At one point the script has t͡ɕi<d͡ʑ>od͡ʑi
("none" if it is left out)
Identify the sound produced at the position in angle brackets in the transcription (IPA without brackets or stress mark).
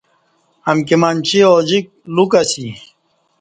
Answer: none